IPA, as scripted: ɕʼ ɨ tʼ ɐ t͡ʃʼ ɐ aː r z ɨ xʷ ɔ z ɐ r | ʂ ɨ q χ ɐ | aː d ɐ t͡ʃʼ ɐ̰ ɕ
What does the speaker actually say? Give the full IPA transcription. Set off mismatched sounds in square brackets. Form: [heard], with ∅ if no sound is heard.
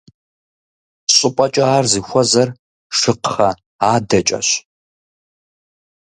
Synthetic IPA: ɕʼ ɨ [pʼ] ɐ t͡ʃʼ ɐ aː r z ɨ xʷ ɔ z ɐ r | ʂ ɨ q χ ɐ | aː d ɐ t͡ʃʼ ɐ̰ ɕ